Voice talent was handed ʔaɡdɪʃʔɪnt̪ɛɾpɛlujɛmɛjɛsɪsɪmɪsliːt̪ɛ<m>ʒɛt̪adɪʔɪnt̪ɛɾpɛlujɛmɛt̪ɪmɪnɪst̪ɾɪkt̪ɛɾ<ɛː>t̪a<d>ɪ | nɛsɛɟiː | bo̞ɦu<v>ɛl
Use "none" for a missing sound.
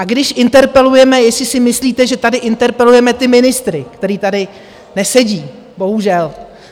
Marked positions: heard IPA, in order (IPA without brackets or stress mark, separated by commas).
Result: none, iː, d, ʒ